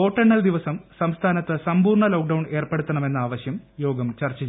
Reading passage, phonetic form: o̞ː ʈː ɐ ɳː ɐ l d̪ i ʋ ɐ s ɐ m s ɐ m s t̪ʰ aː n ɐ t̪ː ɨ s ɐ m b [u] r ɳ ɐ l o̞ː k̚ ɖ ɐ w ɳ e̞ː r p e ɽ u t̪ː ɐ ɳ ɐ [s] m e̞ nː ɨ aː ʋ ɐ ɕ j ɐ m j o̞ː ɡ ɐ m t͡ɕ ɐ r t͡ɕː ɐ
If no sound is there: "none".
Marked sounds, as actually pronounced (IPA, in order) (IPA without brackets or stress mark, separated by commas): uː, none